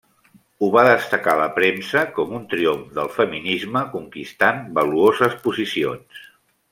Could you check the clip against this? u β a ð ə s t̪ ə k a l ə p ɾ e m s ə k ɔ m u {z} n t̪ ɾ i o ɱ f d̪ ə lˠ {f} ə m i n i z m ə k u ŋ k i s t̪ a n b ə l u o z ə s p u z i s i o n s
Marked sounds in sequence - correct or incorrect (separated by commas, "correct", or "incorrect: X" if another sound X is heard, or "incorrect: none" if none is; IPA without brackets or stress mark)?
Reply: incorrect: none, correct